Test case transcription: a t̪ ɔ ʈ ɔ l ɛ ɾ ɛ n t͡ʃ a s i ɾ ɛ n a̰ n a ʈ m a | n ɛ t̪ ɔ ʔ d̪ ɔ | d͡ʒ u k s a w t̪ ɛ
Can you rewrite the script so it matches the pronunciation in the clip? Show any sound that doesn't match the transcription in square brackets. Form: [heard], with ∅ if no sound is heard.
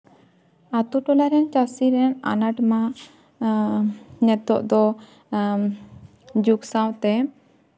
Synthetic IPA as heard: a t̪ [u] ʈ ɔ l [a] ɾ ɛ n t͡ʃ a s i ɾ ɛ n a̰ n a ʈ m a | n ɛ t̪ ɔ ʔ d̪ ɔ | d͡ʒ u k s a w t̪ ɛ